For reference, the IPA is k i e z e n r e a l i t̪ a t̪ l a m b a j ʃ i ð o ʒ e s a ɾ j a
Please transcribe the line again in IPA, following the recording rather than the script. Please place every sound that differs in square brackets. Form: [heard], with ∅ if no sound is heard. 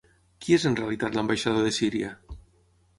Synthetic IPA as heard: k i e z e n r e a l i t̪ a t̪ l a m b a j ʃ [a] ð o [ð] e s [i] ɾ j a